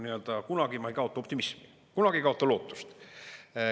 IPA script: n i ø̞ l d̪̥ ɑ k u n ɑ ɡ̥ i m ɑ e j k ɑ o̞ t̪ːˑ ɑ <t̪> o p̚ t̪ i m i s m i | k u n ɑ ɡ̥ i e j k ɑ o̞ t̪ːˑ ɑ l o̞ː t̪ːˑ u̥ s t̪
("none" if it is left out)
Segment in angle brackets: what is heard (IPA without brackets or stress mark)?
none